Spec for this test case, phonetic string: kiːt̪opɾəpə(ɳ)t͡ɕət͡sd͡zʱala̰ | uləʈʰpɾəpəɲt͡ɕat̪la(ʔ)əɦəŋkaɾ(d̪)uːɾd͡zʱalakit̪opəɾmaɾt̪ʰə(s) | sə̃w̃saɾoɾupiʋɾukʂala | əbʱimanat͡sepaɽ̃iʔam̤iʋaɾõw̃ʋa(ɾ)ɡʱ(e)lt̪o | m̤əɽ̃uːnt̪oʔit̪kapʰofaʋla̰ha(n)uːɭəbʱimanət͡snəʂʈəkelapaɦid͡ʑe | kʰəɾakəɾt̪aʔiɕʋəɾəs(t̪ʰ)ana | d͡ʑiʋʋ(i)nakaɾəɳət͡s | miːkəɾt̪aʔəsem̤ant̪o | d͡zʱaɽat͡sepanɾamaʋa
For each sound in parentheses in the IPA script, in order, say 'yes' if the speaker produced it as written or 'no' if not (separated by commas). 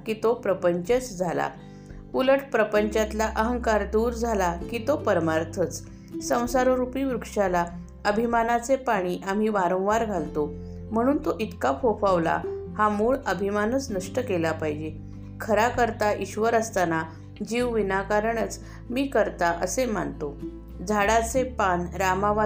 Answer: no, yes, yes, no, yes, no, no, no, yes